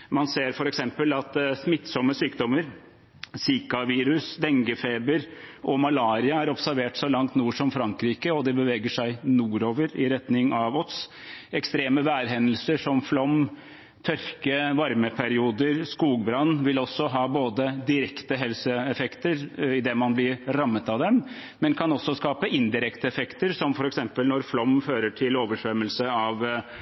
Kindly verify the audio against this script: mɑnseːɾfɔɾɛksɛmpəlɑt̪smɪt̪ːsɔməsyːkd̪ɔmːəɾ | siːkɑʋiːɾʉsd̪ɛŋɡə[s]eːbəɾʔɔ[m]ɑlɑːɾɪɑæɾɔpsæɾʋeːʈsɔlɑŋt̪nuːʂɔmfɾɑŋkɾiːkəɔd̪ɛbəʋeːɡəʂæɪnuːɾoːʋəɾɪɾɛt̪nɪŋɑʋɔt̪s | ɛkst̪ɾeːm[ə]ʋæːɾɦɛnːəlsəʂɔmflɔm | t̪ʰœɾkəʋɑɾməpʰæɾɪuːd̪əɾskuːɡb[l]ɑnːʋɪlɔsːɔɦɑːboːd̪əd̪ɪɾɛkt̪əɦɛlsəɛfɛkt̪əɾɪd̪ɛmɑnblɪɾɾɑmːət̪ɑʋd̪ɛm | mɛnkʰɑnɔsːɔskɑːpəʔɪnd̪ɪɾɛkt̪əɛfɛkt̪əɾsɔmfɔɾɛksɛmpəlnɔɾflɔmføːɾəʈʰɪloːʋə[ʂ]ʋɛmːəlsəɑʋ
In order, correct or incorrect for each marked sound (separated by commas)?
incorrect, correct, correct, incorrect, correct